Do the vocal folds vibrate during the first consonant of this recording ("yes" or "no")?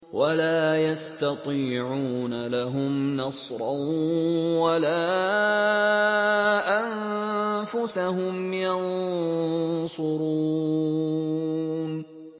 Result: yes